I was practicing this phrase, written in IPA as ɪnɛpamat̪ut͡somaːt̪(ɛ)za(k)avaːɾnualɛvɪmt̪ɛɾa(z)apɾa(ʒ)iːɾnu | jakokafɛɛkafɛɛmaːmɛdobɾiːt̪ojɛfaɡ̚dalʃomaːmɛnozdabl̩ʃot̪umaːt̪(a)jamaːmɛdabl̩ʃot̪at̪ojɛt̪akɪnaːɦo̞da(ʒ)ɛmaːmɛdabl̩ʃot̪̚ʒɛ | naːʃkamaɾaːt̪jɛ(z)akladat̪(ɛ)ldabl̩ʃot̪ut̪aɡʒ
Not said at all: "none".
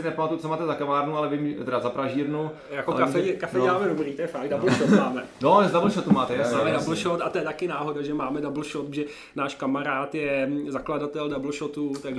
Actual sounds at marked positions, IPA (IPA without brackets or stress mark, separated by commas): ɛ, k, z, ʒ, ɛ, ʒ, z, ɛ